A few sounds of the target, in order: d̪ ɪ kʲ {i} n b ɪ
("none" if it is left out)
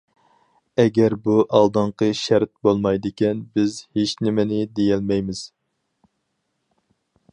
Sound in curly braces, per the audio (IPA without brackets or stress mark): ɛ